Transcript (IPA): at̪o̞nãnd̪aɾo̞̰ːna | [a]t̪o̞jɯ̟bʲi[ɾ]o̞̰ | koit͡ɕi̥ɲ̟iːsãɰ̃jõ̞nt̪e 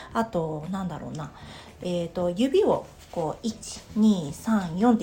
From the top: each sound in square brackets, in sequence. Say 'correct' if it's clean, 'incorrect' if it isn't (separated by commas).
incorrect, incorrect